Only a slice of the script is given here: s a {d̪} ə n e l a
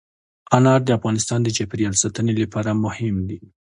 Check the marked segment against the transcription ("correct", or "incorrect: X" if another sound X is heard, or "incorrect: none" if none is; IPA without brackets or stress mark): incorrect: t̪